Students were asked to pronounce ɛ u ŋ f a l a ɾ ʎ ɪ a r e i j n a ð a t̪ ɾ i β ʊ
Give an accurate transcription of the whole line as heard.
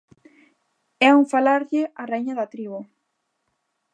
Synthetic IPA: ɛ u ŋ f a l a ɾ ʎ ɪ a r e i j ɲ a ð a t̪ ɾ i β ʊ